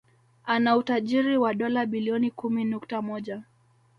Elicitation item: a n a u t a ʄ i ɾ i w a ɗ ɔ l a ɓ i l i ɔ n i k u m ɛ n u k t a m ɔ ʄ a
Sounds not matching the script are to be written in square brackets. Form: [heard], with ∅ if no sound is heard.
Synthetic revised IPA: a n a u t a ʄ i ɾ i w a ɗ ɔ l a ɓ i l i ɔ n i k u m [i] n u k t a m ɔ ʄ a